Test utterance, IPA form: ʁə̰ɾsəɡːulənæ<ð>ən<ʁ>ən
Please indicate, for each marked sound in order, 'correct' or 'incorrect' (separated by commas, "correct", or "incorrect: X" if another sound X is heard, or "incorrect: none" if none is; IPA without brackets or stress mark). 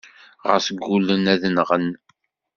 correct, correct